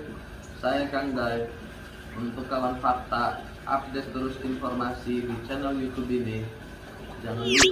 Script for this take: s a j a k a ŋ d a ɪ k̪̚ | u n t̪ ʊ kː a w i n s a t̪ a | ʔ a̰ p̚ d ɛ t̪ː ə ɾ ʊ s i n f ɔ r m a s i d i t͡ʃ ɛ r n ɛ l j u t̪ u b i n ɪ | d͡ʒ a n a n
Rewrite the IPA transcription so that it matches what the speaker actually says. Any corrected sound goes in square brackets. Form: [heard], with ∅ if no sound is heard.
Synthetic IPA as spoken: s a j a k a ŋ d a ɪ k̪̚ | u n t̪ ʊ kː a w [a] n [f] a t̪ a | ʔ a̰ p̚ d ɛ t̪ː ə ɾ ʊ s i n f ɔ r m a s i d i t͡ʃ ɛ [∅] n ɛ l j u t̪ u b i n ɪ | d͡ʒ a [ŋ] a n